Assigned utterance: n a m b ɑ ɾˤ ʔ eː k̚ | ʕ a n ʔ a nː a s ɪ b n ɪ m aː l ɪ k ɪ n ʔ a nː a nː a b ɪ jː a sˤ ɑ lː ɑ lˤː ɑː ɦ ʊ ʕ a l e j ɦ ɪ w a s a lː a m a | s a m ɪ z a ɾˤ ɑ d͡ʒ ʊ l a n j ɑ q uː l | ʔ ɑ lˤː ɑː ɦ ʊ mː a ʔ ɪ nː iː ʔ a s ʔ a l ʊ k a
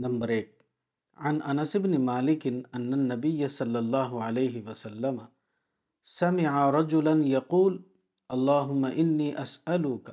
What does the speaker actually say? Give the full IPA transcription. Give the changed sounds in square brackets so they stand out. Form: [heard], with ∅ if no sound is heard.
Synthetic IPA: n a m b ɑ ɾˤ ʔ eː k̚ | ʕ a n ʔ a [n] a s ɪ b n ɪ m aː l ɪ k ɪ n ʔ a nː a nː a b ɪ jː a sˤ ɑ lː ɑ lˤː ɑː ɦ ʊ ʕ a l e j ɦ ɪ w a s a lː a m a | s a m ɪ [ʕ] a ɾˤ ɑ d͡ʒ ʊ l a n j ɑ q uː l | ʔ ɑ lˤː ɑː ɦ ʊ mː a ʔ ɪ nː iː ʔ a s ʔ a l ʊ k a